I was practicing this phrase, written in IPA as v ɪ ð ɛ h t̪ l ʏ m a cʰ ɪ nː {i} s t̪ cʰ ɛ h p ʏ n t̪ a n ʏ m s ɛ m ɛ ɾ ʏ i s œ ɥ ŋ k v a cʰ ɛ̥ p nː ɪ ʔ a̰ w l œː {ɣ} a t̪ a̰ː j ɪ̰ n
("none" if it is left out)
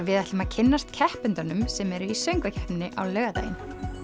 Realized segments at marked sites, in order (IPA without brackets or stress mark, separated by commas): a, ɣ